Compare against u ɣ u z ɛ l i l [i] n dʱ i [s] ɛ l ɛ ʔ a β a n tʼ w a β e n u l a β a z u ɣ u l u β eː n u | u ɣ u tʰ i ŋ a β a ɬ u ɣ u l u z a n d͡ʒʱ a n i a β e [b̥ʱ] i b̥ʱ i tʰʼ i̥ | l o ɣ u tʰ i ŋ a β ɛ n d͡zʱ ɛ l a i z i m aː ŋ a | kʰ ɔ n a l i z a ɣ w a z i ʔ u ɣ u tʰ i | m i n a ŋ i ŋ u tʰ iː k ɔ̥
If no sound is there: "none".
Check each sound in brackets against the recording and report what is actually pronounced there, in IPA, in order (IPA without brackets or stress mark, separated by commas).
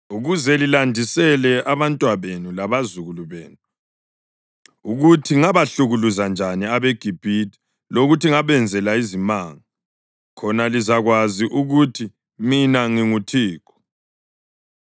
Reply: a, s, ɡ̥ʱ